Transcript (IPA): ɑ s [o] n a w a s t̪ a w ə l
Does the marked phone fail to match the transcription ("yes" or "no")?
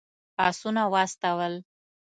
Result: yes